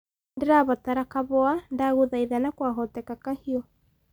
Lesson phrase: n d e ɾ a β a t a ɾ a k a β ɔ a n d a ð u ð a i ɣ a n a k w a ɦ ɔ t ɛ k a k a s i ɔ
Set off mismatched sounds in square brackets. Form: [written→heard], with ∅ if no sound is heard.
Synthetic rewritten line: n d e ɾ a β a t a ɾ a k a β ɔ a n d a [ð→ɣ] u ð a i [ɣ→ð] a n a k w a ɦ ɔ t ɛ k a k a [s→h] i ɔ

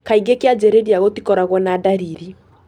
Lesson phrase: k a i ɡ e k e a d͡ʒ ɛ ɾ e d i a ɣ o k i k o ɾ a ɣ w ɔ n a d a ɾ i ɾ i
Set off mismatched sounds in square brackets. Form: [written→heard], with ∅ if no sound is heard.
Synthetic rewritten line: k a i ɡ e k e a d͡ʒ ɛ ɾ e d i a ɣ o [k→t] i k [o→ɔ] ɾ a ɣ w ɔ n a d a ɾ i ɾ i

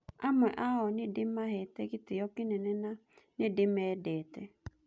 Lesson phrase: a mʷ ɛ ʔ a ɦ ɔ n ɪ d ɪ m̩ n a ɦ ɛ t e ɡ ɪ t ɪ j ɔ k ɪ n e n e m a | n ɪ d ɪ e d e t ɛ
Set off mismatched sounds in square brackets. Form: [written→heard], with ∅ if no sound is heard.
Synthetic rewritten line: a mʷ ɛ ʔ a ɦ ɔ n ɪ d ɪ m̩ [n→m] a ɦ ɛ t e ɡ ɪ t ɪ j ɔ k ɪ n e n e [m→n] a | n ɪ d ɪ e d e t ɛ

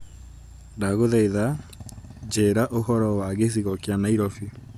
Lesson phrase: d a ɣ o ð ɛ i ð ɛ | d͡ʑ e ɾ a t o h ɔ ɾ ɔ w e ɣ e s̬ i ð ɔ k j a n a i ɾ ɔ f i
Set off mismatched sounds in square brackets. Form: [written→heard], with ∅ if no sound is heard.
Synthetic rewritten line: d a ɣ o ð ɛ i ð [ɛ→a] | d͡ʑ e ɾ a [t→ʔ] o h ɔ ɾ ɔ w [e→a] ɣ e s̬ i [ð→ɣ] ɔ k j a n a i ɾ ɔ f i

